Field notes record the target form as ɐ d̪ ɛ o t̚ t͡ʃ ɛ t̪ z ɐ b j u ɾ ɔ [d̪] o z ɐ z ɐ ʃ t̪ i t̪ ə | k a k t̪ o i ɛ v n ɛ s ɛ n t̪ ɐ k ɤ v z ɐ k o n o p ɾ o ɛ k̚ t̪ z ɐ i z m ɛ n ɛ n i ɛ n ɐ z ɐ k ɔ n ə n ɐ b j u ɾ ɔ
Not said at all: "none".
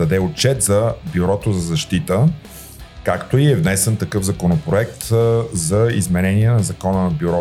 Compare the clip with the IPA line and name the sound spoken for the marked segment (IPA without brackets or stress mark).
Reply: t̪